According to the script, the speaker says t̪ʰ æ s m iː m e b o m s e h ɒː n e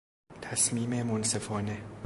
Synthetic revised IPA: t̪ʰ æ s m iː m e m o n s e f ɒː n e